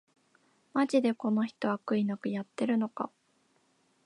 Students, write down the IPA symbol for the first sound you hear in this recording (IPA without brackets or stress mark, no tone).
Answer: m